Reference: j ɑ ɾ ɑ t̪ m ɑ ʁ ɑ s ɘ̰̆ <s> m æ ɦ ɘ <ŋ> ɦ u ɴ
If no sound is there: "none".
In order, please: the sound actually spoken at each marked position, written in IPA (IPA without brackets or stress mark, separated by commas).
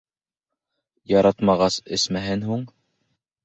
s, n